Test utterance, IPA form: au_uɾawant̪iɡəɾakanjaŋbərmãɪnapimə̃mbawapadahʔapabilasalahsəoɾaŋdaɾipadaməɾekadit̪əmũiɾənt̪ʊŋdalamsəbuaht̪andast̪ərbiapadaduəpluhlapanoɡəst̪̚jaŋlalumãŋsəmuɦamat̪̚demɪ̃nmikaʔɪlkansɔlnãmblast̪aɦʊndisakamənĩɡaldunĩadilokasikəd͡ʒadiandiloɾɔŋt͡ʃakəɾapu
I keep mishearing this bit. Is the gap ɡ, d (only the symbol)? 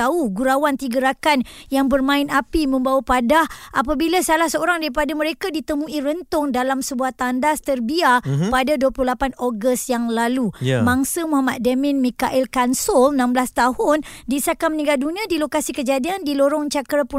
ɡ